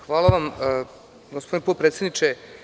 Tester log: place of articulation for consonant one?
velar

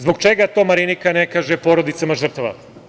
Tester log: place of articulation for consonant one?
alveolar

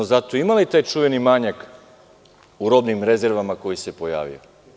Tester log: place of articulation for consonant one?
alveolar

